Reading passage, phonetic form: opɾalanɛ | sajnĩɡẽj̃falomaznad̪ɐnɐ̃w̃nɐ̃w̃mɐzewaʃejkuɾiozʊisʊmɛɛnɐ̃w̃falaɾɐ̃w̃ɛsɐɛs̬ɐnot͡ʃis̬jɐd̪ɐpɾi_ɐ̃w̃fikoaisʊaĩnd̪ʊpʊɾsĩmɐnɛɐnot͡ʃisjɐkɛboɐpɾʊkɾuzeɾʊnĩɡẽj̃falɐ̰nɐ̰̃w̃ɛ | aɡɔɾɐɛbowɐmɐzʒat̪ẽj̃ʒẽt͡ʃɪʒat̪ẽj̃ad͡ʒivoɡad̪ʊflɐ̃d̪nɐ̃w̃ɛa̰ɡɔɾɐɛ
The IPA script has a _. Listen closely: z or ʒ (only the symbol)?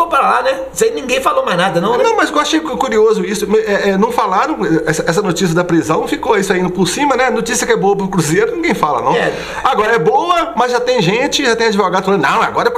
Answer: z